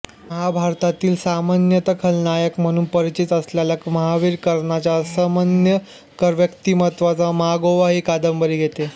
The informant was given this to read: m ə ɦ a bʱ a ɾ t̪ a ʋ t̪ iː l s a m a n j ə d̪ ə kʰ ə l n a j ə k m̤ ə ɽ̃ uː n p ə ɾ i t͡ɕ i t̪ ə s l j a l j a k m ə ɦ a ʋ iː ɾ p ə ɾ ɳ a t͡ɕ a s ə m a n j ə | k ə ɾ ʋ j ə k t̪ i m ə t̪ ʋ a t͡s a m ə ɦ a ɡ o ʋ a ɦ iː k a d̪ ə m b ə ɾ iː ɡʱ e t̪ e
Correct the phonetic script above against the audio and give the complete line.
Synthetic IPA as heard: m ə ɦ a bʱ a ɾ t̪ a t̪ iː l s a m a n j ə t̪ ə kʰ ə l n a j ə k m̤ ə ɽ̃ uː n p ə ɾ i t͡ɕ i t̪ ə s l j a l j a k m ə ɦ a ʋ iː ɾ k ə ɾ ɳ a t͡ɕ a s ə m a n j ə | k ə ɾ ʋ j ə k t̪ i m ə t̪ ʋ a t͡s a m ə ɦ a ɡ o ʋ a ɦ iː k a d̪ ə m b ə ɾ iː ɡʱ e t̪ e